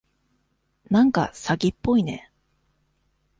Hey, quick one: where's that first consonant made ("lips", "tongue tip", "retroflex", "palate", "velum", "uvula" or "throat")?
tongue tip